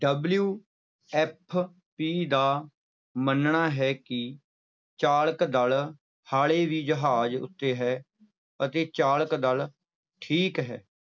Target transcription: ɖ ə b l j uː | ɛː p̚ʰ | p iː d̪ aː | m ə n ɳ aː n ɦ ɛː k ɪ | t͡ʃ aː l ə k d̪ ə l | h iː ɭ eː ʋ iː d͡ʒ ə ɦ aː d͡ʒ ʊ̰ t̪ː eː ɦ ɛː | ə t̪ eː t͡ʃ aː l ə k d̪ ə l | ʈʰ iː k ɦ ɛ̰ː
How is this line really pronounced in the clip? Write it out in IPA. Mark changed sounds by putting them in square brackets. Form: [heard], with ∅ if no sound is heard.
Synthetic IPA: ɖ ə b l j uː | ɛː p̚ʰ | p iː d̪ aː | m ə n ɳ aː [∅] ɦ ɛː k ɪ | t͡ʃ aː l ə k d̪ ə l | h [aː] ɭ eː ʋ iː d͡ʒ ə ɦ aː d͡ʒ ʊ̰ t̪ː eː ɦ ɛː | ə t̪ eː t͡ʃ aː l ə k d̪ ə l | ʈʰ iː k ɦ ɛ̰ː